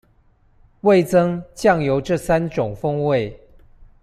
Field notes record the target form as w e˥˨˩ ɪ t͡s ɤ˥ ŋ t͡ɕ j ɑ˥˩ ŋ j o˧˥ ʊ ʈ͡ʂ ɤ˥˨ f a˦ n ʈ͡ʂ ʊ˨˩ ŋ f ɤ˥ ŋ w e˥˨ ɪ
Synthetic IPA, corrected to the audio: w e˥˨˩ ɪ t͡s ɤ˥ ŋ t͡ɕ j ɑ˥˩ ŋ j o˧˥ ʊ ʈ͡ʂ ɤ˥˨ s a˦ n ʈ͡ʂ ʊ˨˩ ŋ f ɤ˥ ŋ w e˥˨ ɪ